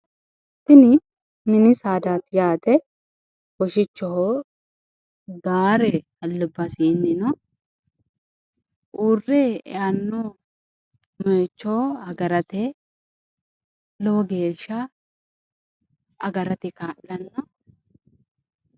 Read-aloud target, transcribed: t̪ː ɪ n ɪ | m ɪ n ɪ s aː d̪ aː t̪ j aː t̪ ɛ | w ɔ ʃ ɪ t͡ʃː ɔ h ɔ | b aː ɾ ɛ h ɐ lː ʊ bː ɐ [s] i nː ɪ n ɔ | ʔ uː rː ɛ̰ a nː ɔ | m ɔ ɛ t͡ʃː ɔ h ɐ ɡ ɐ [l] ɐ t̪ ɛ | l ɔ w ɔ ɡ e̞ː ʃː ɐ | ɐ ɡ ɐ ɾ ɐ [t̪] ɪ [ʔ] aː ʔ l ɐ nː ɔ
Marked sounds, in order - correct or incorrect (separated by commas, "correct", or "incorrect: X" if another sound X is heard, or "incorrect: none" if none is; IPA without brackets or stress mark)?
correct, incorrect: ɾ, correct, incorrect: k